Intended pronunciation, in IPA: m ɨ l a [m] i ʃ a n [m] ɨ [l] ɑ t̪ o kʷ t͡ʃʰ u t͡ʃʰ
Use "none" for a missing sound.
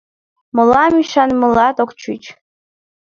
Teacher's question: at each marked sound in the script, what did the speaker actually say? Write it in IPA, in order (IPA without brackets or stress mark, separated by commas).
m, m, l